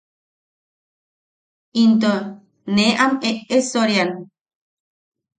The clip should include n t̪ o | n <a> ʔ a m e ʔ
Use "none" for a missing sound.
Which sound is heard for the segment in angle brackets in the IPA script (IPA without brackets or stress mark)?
e